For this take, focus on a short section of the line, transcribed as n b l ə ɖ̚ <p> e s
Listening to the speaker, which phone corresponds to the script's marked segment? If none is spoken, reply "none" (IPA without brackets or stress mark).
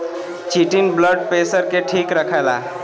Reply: p